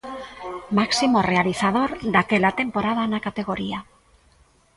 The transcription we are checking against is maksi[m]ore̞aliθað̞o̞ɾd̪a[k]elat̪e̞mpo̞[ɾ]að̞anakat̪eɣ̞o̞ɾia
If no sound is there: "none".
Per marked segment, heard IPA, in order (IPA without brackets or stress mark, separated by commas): m, k, ɾ